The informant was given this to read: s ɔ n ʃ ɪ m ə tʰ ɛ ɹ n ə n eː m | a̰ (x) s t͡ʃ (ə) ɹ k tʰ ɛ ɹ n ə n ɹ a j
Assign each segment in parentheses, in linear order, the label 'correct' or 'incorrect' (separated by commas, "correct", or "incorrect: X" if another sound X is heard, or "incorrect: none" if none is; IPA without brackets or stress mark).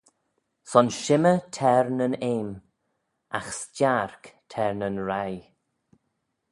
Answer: correct, incorrect: a